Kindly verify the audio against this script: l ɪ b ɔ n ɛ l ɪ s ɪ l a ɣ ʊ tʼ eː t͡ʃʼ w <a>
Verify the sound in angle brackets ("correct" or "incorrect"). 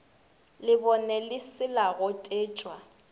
correct